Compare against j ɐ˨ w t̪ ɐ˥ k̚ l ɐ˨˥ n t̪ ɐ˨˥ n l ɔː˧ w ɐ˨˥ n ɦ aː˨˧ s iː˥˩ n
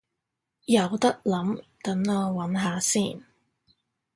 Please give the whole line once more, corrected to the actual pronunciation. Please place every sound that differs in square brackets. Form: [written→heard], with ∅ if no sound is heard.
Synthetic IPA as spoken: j ɐ˨ w t̪ ɐ˥ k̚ l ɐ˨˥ [n→m] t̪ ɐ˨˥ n l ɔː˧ w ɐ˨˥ n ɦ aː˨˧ s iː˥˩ n